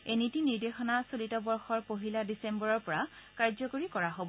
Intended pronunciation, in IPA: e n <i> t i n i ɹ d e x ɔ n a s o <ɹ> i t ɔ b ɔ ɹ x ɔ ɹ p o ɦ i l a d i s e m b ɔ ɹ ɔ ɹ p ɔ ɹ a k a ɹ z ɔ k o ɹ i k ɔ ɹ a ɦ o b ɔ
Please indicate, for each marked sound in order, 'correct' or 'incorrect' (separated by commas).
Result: correct, incorrect